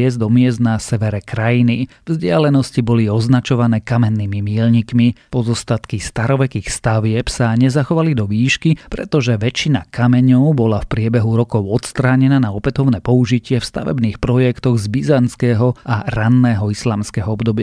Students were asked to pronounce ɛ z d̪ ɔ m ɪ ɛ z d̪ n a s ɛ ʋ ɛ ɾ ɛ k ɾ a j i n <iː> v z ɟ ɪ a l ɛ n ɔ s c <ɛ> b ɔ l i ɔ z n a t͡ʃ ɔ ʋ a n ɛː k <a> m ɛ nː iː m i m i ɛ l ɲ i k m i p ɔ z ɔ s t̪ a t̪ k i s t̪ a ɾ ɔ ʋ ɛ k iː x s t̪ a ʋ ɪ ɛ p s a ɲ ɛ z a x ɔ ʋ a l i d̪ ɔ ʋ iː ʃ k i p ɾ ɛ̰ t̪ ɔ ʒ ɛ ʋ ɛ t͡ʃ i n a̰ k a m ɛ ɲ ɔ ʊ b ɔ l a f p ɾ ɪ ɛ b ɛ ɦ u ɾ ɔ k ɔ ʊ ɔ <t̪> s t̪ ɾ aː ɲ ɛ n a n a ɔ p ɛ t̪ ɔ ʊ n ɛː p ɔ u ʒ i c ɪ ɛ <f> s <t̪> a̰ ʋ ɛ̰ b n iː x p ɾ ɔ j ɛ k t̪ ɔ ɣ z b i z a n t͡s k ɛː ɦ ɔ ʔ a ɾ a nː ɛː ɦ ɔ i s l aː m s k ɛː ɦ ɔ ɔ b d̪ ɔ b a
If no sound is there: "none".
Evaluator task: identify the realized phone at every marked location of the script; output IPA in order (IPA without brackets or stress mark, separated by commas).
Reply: i, i, a, t̪, f, t̪